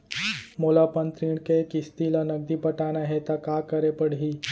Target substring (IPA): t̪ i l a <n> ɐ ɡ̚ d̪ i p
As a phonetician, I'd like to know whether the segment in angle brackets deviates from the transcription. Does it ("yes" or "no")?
no